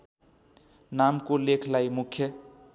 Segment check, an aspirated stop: present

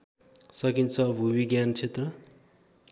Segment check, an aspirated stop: present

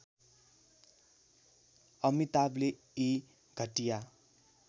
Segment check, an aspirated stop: absent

